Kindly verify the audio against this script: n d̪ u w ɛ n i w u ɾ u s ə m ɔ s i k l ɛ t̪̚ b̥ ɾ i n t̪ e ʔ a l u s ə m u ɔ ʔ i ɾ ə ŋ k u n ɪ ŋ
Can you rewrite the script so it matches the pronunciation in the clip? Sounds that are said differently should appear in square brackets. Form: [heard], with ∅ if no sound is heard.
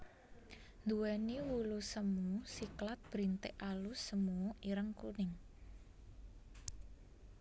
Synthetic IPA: n d̪ u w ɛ n i w u [l] u s ə m [u] s i k l [a] t̪̚ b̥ ɾ i n t̪ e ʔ a l u s ə m u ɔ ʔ i ɾ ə ŋ k u n ɪ ŋ